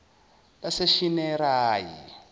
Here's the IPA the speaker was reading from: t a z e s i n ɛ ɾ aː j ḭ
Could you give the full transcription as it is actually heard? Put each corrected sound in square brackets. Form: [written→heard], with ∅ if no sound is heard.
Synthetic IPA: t a [z→s] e [s→ʃ] i n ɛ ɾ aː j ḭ